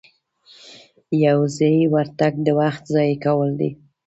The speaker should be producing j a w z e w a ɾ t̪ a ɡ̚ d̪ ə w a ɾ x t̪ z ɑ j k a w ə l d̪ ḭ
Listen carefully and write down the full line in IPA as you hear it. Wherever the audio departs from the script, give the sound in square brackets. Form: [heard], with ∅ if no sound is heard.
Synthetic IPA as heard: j a w z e w a ɾ t̪ a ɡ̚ d̪ ə w a [∅] x t̪ z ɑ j k a w ə l d̪ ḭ